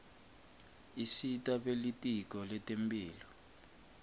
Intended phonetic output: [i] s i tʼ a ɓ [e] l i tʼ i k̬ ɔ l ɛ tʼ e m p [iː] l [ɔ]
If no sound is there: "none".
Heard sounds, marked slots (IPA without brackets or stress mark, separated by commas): i, e, iː, ɔ